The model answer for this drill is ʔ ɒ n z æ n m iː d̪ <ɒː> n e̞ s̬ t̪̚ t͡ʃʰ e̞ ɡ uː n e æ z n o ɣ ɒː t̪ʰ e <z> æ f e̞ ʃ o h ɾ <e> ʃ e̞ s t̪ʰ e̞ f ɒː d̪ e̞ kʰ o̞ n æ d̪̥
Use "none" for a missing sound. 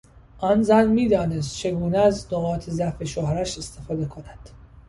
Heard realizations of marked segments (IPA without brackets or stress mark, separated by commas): ɒː, z, æ